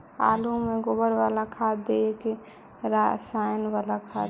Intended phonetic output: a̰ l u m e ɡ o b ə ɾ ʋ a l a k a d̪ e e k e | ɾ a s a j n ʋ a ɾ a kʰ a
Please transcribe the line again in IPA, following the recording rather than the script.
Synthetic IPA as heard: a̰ l u m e ɡ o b ə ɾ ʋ a l a kʰ a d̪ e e k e | ɾ a s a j n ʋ a l a kʰ a